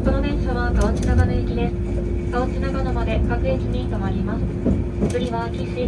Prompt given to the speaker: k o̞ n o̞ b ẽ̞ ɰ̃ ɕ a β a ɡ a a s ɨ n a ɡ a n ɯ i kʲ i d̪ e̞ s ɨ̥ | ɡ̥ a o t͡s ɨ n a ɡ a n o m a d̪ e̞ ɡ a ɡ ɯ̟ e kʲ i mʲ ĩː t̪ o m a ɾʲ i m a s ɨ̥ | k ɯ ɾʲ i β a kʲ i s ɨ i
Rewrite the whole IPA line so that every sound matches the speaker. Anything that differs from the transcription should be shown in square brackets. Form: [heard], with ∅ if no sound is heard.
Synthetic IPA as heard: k o̞ n o̞ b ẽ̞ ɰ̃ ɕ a β a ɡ a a [t͡s] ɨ n a ɡ a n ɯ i kʲ i d̪ e̞ s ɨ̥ | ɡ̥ a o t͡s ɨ n a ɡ a n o m a d̪ e̞ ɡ a [k] ɯ̟ e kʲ i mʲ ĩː t̪ o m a ɾʲ i m a s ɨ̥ | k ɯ ɾʲ i β a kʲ i s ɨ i